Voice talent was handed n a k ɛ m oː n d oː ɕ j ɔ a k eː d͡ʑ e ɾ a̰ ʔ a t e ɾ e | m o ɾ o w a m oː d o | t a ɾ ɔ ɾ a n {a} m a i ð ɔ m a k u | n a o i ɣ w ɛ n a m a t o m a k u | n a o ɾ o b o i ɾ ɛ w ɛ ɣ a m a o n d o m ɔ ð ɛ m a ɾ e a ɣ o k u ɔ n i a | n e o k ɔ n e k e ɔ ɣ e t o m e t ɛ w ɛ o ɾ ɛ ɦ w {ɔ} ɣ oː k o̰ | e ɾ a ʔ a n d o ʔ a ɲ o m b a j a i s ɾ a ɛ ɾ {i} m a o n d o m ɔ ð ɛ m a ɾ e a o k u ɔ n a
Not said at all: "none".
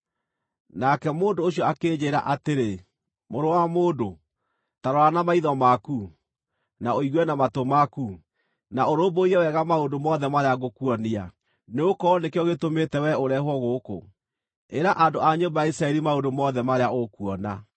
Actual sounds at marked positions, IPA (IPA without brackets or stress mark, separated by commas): a, ɔ, i